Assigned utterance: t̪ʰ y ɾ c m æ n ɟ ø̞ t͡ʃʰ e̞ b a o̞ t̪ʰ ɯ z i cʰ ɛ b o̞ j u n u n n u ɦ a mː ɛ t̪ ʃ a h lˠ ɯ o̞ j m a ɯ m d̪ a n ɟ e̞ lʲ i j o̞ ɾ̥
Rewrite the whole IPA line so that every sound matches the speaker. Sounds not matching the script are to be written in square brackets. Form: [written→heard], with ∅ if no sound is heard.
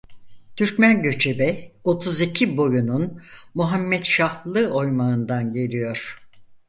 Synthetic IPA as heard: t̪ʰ y ɾ c m æ n ɟ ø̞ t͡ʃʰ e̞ b [a→ɛ] o̞ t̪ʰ [ɯ→u] z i cʰ [ɛ→i] b o̞ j u n u n [n→m] u ɦ a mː ɛ t̪ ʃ a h lˠ ɯ o̞ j m a ɯ [m→n] d̪ a n ɟ e̞ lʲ i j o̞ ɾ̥

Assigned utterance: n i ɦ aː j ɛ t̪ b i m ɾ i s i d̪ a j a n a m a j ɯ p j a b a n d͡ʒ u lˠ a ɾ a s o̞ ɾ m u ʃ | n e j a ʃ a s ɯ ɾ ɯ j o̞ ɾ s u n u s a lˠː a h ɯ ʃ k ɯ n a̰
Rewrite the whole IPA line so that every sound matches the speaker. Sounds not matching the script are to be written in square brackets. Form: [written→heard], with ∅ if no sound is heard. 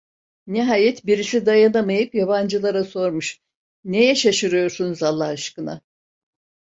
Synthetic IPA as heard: n i ɦ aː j ɛ t̪ b i [m→∅] ɾ i s i d̪ a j a n a m a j ɯ p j a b a n d͡ʒ [u→ɯ] lˠ a ɾ a s o̞ ɾ m u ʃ | n e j [a→ɛ] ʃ a [s→ʃ] ɯ ɾ ɯ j o̞ ɾ s u n u [s→z] a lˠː a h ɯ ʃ k ɯ n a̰

